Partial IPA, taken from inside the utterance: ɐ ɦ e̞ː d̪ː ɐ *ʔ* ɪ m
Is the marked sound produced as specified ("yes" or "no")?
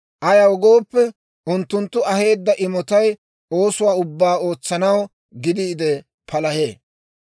yes